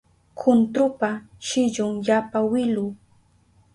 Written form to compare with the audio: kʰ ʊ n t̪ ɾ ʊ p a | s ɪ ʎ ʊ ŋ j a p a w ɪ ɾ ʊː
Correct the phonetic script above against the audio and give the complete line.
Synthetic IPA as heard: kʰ ʊ n t̪ ɾ ʊ p a | ʃ ɪ ʎ ʊ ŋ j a p a w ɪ l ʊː